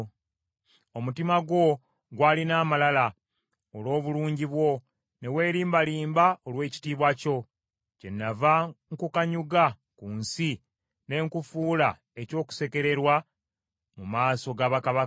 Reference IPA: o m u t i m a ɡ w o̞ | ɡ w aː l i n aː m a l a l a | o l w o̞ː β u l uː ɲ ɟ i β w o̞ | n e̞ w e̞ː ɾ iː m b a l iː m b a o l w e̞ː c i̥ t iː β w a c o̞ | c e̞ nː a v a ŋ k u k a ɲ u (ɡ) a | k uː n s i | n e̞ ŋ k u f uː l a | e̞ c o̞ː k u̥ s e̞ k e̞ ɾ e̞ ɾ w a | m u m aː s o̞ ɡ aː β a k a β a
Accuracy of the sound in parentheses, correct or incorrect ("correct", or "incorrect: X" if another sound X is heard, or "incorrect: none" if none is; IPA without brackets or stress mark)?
correct